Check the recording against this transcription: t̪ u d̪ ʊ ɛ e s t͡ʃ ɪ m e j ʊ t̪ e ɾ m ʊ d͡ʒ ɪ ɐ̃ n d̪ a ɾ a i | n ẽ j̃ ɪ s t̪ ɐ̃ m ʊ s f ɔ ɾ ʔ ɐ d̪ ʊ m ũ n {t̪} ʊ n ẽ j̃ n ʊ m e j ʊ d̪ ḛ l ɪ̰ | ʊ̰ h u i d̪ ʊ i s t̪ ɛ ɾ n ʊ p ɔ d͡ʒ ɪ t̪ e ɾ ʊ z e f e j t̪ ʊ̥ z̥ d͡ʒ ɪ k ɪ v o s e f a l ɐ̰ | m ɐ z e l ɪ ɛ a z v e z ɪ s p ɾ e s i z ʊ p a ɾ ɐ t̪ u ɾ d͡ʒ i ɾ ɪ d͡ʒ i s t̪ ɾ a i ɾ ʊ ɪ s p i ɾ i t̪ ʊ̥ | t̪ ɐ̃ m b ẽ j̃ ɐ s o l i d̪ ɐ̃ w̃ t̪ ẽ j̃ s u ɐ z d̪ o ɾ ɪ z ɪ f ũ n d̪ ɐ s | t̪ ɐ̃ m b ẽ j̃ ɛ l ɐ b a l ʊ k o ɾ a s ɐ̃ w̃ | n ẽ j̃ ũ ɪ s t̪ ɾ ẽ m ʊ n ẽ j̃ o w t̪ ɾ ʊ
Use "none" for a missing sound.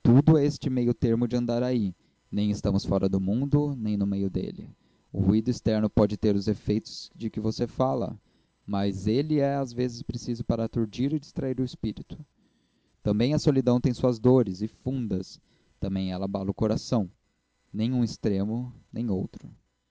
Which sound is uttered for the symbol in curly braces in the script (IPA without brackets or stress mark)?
d̪